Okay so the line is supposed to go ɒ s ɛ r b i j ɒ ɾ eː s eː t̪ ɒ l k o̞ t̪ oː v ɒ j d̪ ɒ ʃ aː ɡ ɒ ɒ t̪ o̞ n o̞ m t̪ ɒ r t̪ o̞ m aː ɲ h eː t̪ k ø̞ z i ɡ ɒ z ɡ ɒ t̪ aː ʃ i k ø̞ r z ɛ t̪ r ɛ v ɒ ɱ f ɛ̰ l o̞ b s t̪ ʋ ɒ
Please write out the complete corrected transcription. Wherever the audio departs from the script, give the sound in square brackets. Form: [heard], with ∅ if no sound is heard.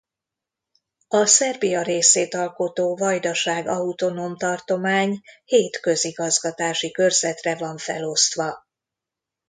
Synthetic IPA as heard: ɒ s ɛ r b i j ɒ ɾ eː s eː t̪ ɒ l k o̞ t̪ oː v ɒ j d̪ ɒ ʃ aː ɡ ɒ [u] t̪ o̞ n o̞ m t̪ ɒ r t̪ o̞ m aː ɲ h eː t̪ k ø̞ z i ɡ ɒ z ɡ ɒ t̪ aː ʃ i k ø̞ r z ɛ t̪ r ɛ v ɒ ɱ f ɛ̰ l o̞ [∅] s t̪ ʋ ɒ